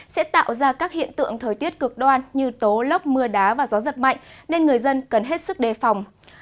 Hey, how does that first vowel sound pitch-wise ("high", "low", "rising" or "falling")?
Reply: rising